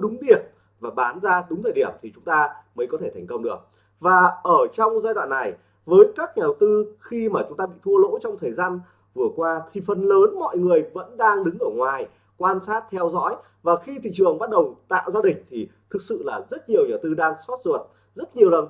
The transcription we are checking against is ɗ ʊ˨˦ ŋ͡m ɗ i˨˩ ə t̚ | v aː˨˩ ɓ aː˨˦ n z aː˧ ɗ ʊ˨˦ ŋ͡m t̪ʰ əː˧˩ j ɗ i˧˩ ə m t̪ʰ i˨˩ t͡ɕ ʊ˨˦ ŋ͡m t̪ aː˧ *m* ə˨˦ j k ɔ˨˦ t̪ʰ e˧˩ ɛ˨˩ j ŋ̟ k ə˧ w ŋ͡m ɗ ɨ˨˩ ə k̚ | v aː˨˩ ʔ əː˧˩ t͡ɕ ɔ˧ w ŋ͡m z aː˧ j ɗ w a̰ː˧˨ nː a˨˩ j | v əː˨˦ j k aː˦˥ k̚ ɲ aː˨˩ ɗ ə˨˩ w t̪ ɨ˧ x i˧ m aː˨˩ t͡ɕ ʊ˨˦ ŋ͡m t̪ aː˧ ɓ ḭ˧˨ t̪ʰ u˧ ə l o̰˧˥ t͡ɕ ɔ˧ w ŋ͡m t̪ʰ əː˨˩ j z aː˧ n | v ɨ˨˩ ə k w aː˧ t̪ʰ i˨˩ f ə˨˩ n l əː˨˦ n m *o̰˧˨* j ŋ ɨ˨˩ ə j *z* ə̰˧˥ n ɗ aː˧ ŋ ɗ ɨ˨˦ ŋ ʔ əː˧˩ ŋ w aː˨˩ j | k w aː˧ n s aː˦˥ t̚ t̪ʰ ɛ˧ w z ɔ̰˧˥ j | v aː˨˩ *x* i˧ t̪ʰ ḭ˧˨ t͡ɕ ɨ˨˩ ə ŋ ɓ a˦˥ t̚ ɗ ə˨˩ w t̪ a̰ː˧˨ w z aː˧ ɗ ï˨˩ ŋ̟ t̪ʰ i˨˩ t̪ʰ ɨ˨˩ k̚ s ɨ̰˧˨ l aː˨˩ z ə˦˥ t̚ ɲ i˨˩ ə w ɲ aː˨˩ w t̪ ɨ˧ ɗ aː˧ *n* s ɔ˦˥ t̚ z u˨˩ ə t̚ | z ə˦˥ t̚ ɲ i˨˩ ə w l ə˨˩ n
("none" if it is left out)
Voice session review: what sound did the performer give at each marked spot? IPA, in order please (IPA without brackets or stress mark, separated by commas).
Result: m, ɔ̰˧˨, v, x, ŋ